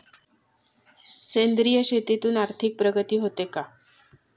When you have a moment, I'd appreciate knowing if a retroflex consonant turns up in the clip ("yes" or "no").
no